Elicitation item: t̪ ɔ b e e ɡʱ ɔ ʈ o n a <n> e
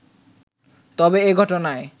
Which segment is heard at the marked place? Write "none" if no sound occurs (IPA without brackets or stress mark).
none